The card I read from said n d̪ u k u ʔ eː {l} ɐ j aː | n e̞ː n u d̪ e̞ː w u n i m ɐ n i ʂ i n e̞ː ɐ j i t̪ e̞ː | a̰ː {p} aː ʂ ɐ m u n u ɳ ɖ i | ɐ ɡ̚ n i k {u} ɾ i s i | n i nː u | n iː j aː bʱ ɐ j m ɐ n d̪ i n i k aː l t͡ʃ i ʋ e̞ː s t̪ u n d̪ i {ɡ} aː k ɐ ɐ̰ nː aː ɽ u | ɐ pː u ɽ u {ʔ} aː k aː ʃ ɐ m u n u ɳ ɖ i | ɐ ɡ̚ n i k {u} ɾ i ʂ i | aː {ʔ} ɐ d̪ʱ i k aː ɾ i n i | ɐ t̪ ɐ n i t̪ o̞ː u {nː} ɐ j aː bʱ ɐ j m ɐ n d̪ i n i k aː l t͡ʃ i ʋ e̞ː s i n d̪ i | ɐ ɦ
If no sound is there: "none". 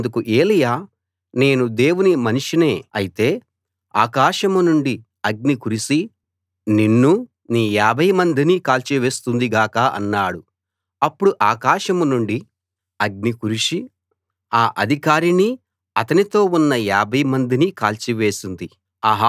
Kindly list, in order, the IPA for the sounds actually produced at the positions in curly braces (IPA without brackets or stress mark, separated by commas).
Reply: l, k, u, ɡ, ʔ, u, ʔ, nː